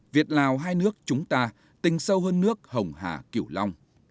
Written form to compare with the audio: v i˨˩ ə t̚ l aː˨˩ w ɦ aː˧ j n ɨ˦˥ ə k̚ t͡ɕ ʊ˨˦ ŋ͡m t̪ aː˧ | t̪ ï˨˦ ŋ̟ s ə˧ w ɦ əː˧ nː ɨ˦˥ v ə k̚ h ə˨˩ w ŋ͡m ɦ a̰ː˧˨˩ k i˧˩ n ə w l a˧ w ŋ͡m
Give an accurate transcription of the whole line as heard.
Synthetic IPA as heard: v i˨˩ ə t̚ l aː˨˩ w ɦ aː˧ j n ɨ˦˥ ə k̚ t͡ɕ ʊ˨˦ ŋ͡m t̪ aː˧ | t̪ ï˨˩ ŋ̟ s ə˧ w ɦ əː˧ nː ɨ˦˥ ə k̚ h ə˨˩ w ŋ͡m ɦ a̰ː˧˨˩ k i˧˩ ə w l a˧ w ŋ͡m